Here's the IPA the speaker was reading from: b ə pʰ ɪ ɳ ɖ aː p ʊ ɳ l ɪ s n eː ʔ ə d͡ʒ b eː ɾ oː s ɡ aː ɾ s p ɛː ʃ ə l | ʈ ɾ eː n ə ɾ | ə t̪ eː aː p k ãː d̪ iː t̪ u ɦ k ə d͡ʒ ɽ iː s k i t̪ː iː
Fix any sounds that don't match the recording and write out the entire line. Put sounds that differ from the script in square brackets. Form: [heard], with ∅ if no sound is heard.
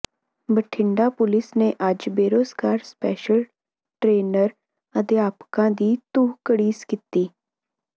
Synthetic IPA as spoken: b ə [ʈʰ] ɪ ɳ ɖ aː p ʊ [∅] l ɪ s n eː ʔ ə d͡ʒ b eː ɾ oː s ɡ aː ɾ s p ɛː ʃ ə l | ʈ ɾ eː n ə ɾ | ə t̪ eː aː p k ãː d̪ iː t̪ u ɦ k ə [∅] ɽ iː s k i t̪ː iː